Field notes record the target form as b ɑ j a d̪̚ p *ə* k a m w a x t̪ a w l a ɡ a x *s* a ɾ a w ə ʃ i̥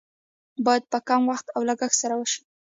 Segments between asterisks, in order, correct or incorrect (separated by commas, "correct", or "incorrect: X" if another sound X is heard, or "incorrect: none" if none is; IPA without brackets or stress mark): correct, correct